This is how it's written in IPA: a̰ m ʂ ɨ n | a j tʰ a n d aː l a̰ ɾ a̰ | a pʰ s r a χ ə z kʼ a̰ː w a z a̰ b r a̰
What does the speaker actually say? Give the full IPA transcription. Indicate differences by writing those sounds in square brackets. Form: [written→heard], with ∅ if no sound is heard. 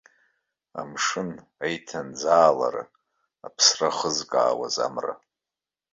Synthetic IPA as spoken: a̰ m ʂ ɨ n | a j tʰ a n [d→d͡z] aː l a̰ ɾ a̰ | a pʰ s r a χ ə z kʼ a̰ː w a z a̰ [b→m] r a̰